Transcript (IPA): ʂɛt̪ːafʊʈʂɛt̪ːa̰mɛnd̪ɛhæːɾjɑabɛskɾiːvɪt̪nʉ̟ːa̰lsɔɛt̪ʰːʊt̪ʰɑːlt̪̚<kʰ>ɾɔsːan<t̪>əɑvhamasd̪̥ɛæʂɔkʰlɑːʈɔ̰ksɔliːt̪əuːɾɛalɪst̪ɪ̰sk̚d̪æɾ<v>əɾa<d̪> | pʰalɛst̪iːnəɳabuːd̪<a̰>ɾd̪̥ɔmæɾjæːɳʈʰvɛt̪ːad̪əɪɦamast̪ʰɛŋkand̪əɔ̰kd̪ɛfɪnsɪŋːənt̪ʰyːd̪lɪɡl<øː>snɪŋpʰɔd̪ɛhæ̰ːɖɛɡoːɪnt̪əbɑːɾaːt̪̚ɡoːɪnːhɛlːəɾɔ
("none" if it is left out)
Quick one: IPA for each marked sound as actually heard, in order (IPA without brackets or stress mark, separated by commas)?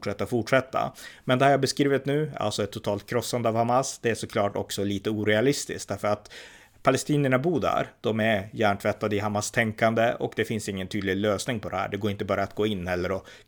kʰ, d̪, f, t̪, æ̰, øː